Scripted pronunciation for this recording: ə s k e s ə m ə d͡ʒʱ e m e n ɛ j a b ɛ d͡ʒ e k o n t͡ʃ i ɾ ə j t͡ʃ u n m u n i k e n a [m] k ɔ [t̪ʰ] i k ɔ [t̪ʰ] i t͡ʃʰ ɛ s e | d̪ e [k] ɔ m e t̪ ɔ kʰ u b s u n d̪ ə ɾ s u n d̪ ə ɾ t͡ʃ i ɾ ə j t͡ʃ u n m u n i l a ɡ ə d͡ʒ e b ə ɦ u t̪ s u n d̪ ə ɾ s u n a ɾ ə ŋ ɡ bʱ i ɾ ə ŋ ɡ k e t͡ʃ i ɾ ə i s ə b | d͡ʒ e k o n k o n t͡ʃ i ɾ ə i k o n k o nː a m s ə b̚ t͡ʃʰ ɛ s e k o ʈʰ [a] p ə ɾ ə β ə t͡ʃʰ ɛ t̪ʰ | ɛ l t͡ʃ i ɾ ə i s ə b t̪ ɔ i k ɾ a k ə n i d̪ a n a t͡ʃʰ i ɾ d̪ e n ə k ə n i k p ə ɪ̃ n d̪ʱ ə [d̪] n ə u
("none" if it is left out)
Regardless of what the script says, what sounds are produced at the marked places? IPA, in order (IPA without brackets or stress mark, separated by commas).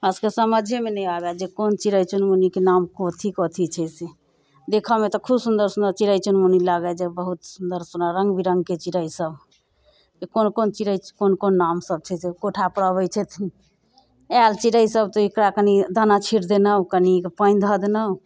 m, t̪ʰ, t̪ʰ, kʰ, a, d̪